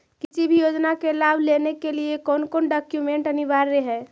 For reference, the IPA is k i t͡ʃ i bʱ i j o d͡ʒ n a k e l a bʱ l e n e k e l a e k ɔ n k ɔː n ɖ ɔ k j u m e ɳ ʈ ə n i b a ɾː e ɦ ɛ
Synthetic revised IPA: k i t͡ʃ i bʱ i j o d͡ʒ n a k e l a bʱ l e n e k e l i e k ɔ n k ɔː n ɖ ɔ k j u m e ɳ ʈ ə n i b a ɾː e ɦ ɛ